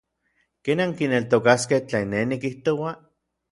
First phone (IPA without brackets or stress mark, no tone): k